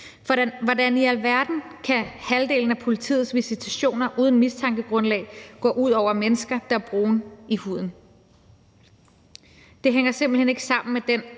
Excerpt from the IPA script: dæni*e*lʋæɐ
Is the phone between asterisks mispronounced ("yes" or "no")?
yes